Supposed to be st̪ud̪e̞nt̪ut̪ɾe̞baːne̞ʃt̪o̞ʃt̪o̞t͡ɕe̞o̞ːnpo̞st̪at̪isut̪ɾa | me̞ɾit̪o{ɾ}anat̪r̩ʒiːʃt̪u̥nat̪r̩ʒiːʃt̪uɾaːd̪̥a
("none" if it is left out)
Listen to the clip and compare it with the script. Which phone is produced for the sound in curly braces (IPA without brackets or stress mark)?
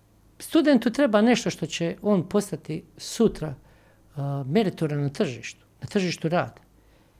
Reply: ɾ